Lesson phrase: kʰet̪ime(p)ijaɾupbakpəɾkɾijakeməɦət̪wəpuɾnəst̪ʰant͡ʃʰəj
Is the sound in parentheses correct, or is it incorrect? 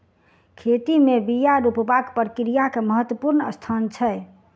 incorrect